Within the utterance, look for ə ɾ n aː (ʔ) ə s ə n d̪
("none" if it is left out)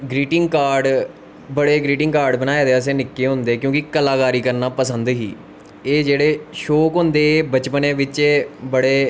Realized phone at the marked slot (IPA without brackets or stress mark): p